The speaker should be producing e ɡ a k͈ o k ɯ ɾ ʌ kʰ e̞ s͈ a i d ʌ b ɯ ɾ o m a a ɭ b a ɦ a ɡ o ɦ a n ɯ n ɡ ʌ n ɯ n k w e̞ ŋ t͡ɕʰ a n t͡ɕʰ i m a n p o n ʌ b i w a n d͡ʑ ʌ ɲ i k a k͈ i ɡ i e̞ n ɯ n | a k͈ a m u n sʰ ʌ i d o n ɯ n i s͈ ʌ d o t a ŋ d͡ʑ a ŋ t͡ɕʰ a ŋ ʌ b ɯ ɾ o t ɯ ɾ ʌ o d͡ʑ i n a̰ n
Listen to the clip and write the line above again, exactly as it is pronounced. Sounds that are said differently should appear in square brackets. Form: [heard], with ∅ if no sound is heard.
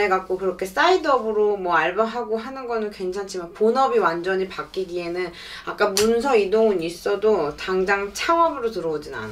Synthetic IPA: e ɡ a k͈ o k ɯ ɾ ʌ kʰ e̞ s͈ a i d ʌ b ɯ ɾ o m [ʌ] a ɭ b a ɦ a ɡ o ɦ a n ɯ n ɡ ʌ n ɯ n k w e̞ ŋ t͡ɕʰ a n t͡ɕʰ i m a n p o n ʌ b i w a n d͡ʑ ʌ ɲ i [p] a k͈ i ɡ i e̞ n ɯ n | a k͈ a m u n sʰ ʌ i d o [ŋ] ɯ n i s͈ ʌ d o t a ŋ d͡ʑ a ŋ t͡ɕʰ a ŋ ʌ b ɯ ɾ o t ɯ ɾ ʌ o d͡ʑ i n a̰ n